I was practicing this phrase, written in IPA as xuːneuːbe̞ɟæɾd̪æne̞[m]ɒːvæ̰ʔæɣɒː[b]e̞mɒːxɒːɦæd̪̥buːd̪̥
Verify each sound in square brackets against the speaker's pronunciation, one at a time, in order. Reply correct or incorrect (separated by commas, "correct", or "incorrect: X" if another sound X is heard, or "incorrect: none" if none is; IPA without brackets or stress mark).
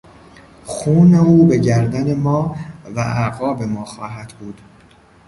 correct, correct